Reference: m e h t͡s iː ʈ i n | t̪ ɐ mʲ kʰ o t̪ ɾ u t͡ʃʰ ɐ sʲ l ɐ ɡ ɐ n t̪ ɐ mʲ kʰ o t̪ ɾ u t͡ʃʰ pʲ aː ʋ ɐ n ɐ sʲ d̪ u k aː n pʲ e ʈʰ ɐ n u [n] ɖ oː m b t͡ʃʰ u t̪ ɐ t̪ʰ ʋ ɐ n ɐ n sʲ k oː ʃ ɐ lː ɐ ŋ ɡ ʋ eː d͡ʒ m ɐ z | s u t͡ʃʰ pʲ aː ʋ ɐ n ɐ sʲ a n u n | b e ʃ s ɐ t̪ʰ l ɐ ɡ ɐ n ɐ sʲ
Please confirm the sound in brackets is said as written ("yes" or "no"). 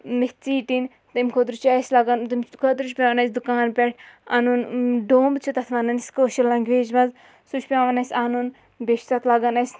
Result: yes